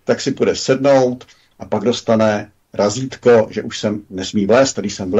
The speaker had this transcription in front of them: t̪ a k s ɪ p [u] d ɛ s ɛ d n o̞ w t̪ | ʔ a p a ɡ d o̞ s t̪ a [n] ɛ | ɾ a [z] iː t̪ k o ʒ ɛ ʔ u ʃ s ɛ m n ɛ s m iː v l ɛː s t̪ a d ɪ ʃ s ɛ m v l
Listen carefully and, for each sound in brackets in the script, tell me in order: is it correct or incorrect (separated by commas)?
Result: correct, correct, correct